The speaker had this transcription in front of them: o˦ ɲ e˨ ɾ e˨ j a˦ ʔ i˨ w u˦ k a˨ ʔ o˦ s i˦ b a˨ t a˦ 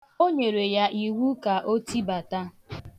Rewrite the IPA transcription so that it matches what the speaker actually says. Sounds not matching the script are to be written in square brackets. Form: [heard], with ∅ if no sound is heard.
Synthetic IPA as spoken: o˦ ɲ e˨ ɾ e˨ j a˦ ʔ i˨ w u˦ k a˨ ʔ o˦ [t] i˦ b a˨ t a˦

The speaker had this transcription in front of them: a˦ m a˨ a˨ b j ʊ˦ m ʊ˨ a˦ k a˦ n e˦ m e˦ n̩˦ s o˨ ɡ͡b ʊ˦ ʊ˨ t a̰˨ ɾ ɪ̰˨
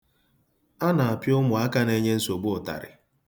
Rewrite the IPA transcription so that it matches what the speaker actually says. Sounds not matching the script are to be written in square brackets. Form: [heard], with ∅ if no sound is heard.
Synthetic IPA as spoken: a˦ [n] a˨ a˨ [p] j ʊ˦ m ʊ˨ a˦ k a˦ n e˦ [ɲ] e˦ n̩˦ s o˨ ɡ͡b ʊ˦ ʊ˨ t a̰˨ ɾ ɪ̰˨

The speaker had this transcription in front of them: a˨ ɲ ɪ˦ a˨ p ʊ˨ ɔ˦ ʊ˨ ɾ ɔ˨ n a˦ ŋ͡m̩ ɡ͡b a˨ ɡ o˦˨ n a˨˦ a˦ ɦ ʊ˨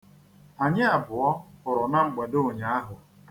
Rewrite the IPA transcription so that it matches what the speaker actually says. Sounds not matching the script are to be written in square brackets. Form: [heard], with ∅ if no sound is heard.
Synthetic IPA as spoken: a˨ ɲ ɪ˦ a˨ [b] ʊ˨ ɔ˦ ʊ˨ ɾ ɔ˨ n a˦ ŋ͡m̩ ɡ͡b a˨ [d] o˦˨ [ɲ] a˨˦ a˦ ɦ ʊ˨

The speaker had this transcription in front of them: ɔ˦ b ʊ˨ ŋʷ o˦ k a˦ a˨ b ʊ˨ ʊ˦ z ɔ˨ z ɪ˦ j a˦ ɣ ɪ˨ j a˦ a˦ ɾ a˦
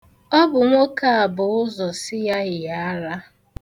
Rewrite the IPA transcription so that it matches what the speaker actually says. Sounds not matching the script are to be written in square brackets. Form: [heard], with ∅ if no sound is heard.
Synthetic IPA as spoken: ɔ˦ b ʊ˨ ŋʷ o˦ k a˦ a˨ b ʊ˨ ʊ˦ z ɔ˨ [s] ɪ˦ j a˦ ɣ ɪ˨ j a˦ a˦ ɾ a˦

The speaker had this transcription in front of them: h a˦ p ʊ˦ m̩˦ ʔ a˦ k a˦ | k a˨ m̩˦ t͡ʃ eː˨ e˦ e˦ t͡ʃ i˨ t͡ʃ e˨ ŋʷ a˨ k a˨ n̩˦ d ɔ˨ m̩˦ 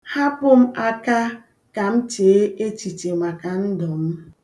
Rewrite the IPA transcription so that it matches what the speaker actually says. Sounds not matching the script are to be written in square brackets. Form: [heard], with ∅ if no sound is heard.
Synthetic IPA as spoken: h a˦ p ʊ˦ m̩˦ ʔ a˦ k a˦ | k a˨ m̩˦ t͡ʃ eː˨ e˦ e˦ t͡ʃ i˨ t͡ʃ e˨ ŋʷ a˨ k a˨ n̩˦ d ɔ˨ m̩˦

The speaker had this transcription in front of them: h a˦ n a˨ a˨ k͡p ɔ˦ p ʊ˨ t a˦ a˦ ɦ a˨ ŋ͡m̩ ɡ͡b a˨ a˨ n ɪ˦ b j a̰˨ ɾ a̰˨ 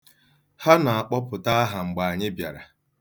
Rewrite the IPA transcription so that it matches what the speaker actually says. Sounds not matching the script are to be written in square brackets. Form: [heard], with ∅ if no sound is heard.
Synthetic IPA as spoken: h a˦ n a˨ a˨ k͡p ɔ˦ p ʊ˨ t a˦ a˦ ɦ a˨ ŋ͡m̩ ɡ͡b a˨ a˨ [ɲ] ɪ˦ b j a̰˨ ɾ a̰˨

